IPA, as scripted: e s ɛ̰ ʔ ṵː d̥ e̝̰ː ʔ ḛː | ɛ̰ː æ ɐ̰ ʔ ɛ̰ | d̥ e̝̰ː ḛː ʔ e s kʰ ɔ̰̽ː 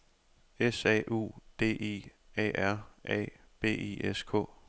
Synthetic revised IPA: e s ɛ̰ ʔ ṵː d̥ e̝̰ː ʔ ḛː | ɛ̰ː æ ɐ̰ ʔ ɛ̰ | b̥ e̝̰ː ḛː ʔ e s kʰ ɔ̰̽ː